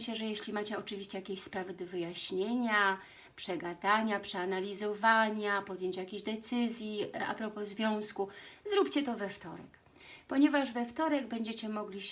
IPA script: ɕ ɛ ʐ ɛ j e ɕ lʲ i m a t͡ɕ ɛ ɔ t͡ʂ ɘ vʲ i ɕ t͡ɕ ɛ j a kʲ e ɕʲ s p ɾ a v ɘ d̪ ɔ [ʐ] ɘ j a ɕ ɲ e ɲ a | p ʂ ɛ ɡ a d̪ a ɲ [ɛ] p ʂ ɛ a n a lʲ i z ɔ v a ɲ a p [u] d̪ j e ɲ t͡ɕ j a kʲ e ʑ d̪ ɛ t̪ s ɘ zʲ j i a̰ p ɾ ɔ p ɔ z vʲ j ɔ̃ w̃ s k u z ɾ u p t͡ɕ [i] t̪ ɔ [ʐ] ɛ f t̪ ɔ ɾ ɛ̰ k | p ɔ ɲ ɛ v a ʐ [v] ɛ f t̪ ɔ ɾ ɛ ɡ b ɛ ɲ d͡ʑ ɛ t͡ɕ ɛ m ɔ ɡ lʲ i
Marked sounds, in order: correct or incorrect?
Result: incorrect, incorrect, incorrect, incorrect, incorrect, correct

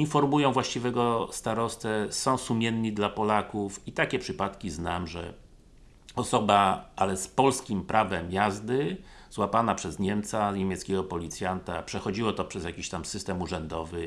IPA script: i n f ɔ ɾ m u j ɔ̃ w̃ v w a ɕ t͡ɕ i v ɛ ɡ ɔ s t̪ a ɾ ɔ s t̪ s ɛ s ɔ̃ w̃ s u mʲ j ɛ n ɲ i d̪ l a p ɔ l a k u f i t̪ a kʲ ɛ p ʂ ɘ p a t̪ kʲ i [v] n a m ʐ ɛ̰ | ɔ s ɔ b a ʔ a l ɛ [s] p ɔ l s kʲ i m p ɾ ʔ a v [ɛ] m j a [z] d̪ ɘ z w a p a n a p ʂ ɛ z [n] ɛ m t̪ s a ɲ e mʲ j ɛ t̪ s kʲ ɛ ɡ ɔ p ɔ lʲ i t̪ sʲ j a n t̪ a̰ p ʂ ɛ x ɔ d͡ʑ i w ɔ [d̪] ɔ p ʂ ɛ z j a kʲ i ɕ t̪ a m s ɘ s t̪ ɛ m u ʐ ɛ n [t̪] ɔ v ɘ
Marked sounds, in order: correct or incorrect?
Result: incorrect, correct, correct, correct, incorrect, incorrect, incorrect

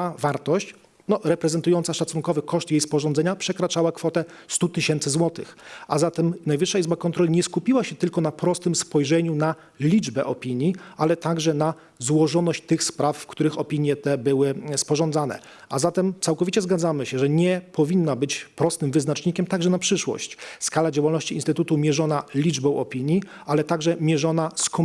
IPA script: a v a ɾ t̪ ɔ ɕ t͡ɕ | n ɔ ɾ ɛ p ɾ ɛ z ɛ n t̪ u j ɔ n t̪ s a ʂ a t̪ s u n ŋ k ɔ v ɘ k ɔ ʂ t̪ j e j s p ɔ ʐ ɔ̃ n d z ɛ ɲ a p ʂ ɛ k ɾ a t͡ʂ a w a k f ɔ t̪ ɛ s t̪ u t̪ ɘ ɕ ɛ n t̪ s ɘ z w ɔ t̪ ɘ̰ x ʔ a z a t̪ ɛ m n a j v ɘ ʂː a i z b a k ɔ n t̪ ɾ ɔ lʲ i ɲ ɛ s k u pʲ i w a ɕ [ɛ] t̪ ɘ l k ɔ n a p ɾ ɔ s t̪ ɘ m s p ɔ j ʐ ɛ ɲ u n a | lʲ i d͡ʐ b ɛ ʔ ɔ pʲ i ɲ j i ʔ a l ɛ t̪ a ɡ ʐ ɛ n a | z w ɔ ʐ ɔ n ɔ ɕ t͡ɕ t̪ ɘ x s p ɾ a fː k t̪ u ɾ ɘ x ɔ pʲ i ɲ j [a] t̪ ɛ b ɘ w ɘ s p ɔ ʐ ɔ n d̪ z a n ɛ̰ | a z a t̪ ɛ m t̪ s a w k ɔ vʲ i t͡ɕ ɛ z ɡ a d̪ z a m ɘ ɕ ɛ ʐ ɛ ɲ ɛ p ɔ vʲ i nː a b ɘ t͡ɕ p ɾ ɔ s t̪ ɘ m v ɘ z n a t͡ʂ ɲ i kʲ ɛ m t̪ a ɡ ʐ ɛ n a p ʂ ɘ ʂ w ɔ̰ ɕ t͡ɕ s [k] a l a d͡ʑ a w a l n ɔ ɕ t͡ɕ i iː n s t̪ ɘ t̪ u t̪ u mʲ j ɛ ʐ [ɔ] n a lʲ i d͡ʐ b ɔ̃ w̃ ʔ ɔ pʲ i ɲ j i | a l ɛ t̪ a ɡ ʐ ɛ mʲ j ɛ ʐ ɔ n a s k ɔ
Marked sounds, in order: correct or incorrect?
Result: correct, incorrect, correct, correct

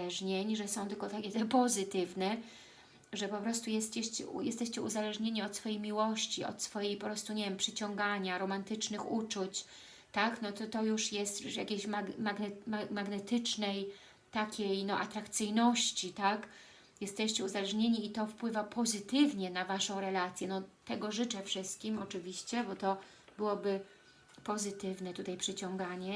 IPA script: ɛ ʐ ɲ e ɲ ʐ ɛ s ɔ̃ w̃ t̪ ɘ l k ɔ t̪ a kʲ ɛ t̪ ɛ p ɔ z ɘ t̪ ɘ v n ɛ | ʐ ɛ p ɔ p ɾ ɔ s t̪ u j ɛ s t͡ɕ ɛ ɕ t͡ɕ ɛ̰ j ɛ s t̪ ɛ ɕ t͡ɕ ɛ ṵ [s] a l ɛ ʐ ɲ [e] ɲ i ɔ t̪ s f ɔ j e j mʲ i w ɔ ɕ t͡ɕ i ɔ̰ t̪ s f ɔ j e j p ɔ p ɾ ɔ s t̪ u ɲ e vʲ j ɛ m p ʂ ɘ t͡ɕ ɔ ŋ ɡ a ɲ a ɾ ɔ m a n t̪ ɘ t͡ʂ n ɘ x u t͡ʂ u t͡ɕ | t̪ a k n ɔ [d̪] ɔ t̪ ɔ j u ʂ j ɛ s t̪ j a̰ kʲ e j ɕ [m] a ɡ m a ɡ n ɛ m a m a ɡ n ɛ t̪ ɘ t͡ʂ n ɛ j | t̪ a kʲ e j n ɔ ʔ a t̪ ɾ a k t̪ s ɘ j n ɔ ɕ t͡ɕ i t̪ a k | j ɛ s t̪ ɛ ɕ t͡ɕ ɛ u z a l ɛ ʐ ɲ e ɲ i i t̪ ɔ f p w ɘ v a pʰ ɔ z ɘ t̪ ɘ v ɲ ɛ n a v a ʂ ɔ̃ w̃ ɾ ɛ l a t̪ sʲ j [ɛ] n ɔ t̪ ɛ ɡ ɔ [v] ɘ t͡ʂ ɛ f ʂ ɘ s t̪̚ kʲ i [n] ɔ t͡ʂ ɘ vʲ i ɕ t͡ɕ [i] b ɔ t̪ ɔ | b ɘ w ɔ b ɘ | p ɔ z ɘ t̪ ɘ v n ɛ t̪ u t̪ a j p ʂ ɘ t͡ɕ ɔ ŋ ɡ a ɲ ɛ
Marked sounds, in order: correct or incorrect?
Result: incorrect, correct, incorrect, correct, correct, incorrect, incorrect, incorrect

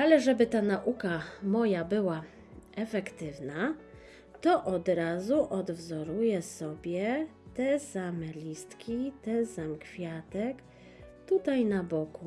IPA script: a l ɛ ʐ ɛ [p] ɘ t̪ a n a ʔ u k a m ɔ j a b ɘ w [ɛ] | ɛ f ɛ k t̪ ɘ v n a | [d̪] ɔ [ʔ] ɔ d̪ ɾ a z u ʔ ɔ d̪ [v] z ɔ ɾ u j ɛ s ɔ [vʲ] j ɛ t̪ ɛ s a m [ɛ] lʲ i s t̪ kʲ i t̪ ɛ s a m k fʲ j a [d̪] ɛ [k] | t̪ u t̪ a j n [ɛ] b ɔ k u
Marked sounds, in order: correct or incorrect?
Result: incorrect, incorrect, incorrect, correct, correct, incorrect, correct, incorrect, correct, incorrect

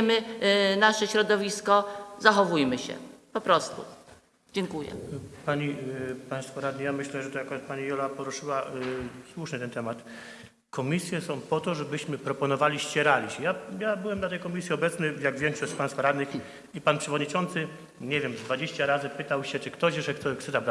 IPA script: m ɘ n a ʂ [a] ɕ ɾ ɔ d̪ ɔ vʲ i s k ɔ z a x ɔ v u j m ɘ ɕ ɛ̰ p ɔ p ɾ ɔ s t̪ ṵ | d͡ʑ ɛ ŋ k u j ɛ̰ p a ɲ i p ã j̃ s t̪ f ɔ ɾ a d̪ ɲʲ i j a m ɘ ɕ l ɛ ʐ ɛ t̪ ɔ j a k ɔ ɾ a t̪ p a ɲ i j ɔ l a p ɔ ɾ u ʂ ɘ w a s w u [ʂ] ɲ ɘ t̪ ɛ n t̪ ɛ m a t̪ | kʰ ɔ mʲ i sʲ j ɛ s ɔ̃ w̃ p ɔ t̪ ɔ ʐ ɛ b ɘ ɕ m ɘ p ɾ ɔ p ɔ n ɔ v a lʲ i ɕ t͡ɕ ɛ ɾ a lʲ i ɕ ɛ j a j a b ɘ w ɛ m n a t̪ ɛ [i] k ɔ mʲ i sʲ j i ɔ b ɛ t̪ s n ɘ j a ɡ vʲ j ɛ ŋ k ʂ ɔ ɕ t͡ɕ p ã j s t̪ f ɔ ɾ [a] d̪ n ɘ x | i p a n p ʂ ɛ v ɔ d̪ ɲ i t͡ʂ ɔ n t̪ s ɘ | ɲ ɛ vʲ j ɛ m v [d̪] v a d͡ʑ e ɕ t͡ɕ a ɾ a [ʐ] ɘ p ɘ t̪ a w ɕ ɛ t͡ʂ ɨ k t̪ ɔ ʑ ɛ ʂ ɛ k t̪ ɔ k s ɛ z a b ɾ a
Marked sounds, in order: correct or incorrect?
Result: incorrect, correct, incorrect, correct, correct, incorrect

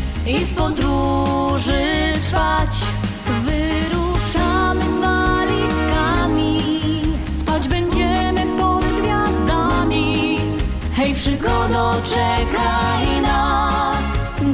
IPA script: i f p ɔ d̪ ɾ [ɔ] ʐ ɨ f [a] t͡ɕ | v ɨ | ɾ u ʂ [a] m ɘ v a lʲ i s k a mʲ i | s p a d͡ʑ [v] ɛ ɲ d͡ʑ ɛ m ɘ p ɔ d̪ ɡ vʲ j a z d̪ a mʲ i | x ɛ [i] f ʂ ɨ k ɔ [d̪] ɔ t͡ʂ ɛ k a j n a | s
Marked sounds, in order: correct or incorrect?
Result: incorrect, correct, correct, incorrect, incorrect, correct

